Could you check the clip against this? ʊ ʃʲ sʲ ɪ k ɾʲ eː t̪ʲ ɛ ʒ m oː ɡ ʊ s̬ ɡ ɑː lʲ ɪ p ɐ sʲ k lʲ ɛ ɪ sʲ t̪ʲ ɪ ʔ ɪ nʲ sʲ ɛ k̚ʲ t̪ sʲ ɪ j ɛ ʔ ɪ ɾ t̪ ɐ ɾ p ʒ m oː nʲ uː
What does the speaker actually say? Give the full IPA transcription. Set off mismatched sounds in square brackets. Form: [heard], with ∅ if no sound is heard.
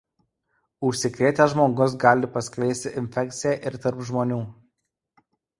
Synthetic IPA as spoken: ʊ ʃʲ sʲ ɪ k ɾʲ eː t̪ʲ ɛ ʒ m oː ɡ ʊ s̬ ɡ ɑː lʲ ɪ p ɐ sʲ k lʲ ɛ ɪ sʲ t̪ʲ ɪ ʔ ɪ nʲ [fʲ] ɛ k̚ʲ t̪ sʲ ɪ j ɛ ʔ ɪ ɾ t̪ ɐ ɾ p ʒ m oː nʲ uː

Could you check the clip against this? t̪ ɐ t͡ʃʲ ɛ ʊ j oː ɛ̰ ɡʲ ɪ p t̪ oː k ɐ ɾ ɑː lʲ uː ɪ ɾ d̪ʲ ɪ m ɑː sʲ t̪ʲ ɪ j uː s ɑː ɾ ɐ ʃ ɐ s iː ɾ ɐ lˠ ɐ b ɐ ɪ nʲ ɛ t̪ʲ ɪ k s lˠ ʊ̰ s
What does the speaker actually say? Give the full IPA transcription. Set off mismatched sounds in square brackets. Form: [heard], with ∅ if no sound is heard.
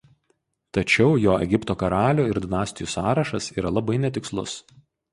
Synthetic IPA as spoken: t̪ ɐ t͡ʃʲ ɛ ʊ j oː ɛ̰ ɡʲ ɪ p t̪ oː k ɐ ɾ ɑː lʲ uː ɪ ɾ d̪ʲ ɪ [n] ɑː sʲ t̪ʲ ɪ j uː s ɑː ɾ ɐ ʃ ɐ s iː ɾ ɐ lˠ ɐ b ɐ ɪ nʲ ɛ t̪ʲ ɪ k s lˠ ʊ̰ s

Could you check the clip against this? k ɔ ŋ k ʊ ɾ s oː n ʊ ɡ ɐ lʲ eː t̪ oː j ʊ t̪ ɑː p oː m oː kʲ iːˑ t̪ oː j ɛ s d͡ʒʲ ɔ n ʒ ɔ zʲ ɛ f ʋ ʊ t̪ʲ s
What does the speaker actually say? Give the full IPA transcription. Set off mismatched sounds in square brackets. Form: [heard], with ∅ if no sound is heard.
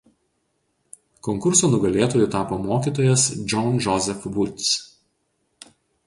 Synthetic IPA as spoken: k ɔ ŋ k ʊ ɾ s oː n ʊ ɡ ɐ lʲ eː t̪ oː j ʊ t̪ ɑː p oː m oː kʲ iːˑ t̪ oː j ɛ s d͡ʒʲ ɔ n ʒ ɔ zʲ ɛ f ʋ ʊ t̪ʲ s

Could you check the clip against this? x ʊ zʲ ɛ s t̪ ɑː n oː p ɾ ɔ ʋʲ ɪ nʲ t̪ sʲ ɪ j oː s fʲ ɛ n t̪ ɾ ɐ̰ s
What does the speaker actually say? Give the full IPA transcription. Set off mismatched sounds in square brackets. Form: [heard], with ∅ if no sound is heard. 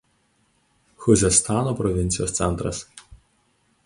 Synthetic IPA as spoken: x ʊ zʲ ɛ s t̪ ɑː n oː p ɾ ɔ ʋʲ ɪ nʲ t̪ sʲ ɪ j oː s [sʲ] ɛ n t̪ ɾ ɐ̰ s

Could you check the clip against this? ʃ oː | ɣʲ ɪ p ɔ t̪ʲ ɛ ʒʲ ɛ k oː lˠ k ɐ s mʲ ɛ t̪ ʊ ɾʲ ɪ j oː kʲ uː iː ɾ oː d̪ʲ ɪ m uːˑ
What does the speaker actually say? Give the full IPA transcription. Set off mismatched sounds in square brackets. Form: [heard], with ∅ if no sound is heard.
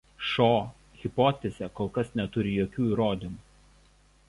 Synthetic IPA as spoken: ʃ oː | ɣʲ ɪ p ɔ t̪ʲ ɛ [zʲ] ɛ k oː lˠ k ɐ s [nʲ] ɛ t̪ ʊ ɾʲ ɪ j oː kʲ uː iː ɾ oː d̪ʲ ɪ m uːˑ

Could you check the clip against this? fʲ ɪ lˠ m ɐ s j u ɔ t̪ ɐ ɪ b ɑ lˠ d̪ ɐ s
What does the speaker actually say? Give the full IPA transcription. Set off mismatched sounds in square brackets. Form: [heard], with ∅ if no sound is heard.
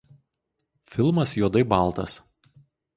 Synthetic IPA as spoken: fʲ ɪ lˠ m ɐ s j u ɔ [d̪] ɐ ɪ b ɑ lˠ [t̪] ɐ s

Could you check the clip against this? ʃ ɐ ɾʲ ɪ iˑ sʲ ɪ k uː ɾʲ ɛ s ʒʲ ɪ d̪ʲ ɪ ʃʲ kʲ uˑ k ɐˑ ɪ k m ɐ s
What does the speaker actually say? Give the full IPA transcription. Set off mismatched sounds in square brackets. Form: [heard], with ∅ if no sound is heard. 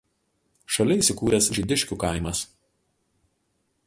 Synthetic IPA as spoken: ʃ ɐ [lʲ] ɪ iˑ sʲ ɪ k uː ɾʲ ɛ s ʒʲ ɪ d̪ʲ ɪ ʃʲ kʲ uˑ k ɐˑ ɪ [∅] m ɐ s

